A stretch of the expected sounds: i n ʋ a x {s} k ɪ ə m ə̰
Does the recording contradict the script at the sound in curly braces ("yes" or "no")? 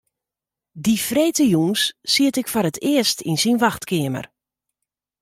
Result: yes